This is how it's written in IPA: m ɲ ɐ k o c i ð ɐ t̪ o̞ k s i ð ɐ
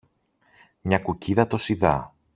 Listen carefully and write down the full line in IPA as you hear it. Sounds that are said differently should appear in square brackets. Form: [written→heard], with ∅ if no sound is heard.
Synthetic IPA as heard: m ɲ ɐ k [o→u] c i ð ɐ t̪ o̞ [k→∅] s i ð ɐ